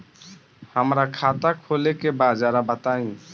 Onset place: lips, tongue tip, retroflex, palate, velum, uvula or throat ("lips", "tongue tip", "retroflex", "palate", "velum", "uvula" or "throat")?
throat